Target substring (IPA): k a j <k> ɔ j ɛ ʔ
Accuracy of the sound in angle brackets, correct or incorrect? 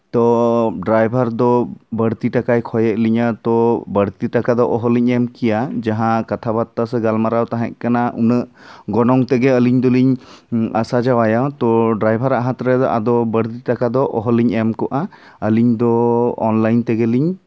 incorrect